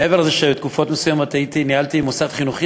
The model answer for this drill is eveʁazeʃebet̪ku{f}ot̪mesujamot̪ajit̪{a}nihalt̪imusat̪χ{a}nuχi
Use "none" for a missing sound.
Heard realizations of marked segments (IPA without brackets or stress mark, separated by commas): f, i, i